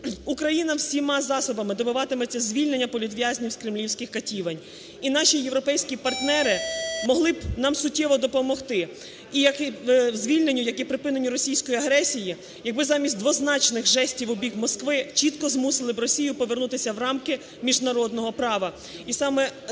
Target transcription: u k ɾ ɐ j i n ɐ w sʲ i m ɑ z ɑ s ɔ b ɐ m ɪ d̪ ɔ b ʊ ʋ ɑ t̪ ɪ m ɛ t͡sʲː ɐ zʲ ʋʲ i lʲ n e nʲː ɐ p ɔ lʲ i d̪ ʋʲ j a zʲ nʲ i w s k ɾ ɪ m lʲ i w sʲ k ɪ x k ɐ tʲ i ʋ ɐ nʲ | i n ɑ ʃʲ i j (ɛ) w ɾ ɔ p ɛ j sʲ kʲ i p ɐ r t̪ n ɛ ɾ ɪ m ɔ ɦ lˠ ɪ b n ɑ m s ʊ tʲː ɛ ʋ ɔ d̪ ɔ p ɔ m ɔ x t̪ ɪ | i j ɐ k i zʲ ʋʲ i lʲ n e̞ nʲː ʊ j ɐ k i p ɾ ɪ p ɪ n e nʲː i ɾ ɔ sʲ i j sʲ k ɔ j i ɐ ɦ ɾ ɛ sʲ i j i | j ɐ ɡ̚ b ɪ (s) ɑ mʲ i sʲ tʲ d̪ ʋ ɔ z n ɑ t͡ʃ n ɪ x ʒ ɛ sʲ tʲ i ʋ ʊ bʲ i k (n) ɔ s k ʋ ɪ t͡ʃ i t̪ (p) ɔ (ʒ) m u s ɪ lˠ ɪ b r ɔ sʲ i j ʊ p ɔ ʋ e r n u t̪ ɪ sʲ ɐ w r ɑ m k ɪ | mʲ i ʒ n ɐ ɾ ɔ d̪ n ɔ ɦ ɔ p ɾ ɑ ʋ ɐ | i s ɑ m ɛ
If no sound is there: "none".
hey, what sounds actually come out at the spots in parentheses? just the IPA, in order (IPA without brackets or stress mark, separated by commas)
e, z, m, k, z